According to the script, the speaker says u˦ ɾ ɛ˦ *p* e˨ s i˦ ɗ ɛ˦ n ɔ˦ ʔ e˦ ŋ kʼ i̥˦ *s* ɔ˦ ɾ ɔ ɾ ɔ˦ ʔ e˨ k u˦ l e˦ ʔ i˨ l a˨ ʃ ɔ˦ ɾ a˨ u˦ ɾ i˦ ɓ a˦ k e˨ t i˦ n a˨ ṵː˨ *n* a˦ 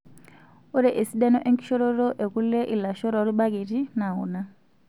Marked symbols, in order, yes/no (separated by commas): no, no, yes